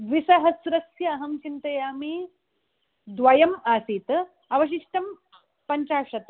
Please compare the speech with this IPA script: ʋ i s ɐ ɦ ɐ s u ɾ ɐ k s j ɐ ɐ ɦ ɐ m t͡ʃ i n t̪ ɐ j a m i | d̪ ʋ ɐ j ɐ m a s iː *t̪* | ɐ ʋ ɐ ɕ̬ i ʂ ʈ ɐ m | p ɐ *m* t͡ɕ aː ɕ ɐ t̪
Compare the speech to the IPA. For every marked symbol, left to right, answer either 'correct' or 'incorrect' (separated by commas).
correct, incorrect